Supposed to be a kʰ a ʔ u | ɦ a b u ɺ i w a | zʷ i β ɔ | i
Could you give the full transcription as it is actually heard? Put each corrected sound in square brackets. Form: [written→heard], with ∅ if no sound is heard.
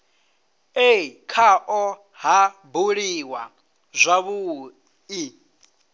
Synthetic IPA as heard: [a→e] kʰ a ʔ [u→ɔ] | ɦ a b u ɺ i w a | zʷ [i→a] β [ɔ→u] | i